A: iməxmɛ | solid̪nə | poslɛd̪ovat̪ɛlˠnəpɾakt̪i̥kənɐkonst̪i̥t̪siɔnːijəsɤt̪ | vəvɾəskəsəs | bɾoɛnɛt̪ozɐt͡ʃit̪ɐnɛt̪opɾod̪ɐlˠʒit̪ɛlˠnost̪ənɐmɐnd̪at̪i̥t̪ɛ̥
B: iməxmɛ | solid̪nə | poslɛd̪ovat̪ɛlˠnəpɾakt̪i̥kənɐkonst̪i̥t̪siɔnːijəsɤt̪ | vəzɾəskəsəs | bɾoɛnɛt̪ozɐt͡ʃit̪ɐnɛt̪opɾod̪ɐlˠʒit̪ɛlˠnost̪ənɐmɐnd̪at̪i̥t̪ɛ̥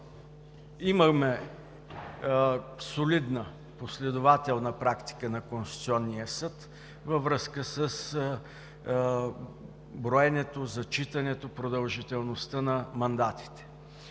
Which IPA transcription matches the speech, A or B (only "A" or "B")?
A